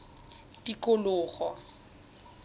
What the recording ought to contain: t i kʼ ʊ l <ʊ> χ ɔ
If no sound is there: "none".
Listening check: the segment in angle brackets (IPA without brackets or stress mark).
ʊː